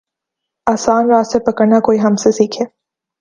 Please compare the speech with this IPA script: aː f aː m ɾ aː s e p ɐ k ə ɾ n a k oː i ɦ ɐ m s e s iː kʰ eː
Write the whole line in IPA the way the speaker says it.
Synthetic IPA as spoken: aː s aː n ɾ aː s e p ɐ k ə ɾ n a k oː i ɦ ɐ m s e s iː kʰ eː